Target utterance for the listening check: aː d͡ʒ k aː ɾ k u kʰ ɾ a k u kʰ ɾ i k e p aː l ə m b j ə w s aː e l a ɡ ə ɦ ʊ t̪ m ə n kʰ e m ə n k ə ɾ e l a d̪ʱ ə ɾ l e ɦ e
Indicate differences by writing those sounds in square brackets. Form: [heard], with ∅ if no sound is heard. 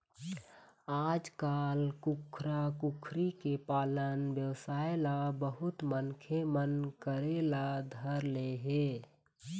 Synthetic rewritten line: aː d͡ʒ k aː [l] k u kʰ ɾ a k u kʰ ɾ i k e p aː l ə [n] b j ə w s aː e l a [b] ə ɦ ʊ t̪ m ə n kʰ e m ə n k ə ɾ e l a d̪ʱ ə ɾ l e ɦ e